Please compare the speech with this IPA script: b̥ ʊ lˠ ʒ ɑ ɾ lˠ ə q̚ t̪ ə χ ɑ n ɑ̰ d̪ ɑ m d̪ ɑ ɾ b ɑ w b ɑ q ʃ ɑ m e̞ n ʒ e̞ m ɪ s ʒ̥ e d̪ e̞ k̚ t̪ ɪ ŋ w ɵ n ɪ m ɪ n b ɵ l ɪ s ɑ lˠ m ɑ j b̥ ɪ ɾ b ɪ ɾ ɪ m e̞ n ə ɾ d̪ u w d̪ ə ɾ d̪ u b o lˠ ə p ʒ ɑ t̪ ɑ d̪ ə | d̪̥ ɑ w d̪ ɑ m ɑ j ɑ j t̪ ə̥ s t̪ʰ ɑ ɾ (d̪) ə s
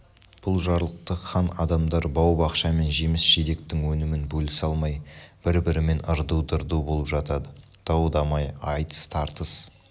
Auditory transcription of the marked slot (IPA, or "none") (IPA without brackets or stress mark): t̪